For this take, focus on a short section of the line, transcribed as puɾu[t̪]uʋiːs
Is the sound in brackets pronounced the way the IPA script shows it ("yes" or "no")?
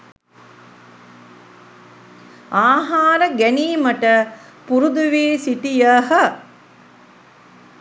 no